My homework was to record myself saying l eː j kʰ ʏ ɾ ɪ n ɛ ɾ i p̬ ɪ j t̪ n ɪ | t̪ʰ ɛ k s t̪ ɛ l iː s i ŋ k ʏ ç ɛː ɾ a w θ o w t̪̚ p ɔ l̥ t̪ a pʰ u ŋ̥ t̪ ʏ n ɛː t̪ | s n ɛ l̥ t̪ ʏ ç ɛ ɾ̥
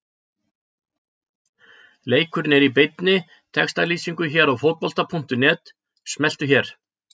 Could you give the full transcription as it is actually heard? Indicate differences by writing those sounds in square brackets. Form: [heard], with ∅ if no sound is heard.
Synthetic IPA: l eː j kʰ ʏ ɾ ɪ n ɛ ɾ i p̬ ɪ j t̪ n ɪ | t̪ʰ ɛ k s t̪ [a] l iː s i ŋ k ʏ ç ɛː ɾ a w [f] o w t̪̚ p ɔ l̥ t̪ a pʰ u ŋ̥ t̪ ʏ n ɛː t̪ | s [m] ɛ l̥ t̪ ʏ ç ɛ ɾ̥